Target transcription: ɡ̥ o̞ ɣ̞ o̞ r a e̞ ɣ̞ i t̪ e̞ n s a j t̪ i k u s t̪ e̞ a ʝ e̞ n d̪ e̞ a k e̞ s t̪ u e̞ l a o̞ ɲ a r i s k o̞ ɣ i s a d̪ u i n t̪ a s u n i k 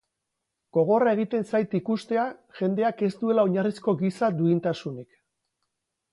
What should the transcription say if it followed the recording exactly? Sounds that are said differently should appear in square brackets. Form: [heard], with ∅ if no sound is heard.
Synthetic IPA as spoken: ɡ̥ o̞ ɣ̞ o̞ r a e̞ ɣ̞ i t̪ e̞ n s a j t̪ i k u s t̪ e̞ a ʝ e̞ n d̪ e̞ a k e̞ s t̪ u e̞ l a o̞ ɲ a r i s k o̞ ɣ i s a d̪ u i n t̪ a s u n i k